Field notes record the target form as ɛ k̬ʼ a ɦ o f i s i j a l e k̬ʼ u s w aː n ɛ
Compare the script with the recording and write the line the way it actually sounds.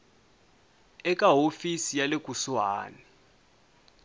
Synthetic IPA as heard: ɛ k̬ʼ a ɦ o f i s i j a l e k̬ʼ u s w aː n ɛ